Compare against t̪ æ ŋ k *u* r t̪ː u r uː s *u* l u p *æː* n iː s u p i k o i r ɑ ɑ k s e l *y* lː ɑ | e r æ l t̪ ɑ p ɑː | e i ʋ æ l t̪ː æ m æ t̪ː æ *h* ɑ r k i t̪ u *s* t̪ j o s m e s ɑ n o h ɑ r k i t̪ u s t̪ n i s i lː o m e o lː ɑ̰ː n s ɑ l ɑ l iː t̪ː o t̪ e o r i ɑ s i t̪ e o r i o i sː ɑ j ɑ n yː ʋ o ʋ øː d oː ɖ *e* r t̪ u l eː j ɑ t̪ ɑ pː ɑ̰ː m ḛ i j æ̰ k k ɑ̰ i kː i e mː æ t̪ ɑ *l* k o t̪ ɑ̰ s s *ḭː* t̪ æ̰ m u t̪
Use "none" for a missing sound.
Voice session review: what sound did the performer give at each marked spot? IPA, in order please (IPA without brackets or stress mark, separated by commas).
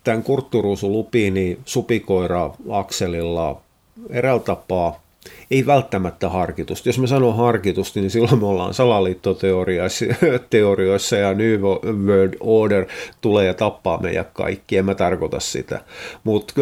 u, u, iː, i, h, s, e, r, ḭ